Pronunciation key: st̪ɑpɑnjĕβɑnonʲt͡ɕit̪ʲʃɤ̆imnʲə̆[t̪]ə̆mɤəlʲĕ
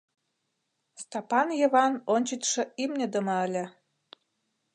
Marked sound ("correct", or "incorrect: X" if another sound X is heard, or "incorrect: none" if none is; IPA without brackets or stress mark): incorrect: d̪